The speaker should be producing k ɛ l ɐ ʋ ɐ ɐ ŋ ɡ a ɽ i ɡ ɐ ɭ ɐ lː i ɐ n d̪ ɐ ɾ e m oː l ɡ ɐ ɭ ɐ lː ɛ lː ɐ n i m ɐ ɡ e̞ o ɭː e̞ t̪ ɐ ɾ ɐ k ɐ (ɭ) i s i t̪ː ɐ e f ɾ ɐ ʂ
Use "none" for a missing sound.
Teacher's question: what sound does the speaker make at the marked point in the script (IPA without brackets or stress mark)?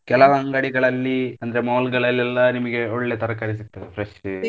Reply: ɾ